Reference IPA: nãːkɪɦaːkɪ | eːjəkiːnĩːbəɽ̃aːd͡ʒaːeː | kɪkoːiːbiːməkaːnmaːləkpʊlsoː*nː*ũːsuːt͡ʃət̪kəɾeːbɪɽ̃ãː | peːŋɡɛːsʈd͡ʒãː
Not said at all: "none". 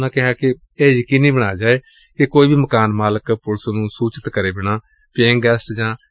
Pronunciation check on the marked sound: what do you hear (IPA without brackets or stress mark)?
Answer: n